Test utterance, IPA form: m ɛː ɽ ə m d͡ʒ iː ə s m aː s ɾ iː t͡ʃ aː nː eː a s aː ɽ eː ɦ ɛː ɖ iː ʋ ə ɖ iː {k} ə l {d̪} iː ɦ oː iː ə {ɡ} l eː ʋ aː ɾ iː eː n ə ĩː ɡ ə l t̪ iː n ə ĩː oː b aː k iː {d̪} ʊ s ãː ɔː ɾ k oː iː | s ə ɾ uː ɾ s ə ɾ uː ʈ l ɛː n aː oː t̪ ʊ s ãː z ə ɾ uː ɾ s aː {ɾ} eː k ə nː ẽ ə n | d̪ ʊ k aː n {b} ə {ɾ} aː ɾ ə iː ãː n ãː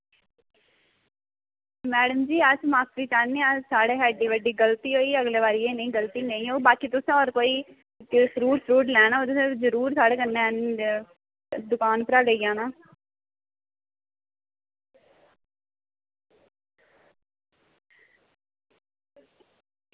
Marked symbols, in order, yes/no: no, no, yes, no, no, no, yes

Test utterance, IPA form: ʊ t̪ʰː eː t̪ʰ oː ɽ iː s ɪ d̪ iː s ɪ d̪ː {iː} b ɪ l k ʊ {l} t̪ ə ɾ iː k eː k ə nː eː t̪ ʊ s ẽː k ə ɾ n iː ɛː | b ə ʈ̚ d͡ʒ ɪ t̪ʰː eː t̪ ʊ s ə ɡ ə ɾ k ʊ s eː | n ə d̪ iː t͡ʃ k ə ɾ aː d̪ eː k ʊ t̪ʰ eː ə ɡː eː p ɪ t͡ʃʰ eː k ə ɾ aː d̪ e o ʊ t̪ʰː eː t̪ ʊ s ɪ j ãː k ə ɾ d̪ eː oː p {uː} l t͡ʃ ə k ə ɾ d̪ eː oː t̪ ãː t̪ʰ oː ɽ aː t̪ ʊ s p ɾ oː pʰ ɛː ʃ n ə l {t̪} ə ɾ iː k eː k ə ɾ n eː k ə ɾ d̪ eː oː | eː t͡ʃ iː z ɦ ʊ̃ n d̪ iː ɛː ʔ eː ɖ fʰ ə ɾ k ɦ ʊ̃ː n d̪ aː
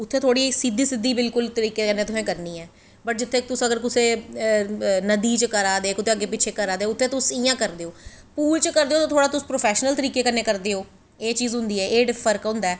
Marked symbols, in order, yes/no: yes, yes, yes, yes

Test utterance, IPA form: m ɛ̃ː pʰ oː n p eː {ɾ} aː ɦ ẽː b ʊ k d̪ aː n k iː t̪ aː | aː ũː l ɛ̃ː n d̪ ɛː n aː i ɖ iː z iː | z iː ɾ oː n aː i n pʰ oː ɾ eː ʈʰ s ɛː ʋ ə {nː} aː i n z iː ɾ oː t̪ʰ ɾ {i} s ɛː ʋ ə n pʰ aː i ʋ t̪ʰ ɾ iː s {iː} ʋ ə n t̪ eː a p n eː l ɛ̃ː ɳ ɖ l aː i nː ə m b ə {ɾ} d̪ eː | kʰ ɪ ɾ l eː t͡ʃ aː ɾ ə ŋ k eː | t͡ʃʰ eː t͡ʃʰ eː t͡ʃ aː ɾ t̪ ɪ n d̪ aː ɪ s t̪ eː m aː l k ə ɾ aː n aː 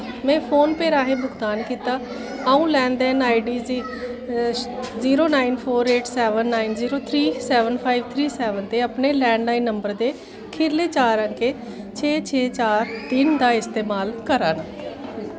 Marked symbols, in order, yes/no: yes, yes, no, no, yes

